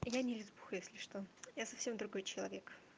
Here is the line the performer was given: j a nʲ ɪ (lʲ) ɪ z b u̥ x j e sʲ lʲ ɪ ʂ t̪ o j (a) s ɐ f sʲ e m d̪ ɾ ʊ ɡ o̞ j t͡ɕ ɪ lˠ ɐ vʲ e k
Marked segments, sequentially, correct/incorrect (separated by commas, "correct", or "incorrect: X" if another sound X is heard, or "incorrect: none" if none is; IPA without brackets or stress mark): correct, correct